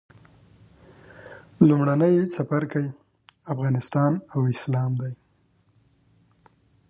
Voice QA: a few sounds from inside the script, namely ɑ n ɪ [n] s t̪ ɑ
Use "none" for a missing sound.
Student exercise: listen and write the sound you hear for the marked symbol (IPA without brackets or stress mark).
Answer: none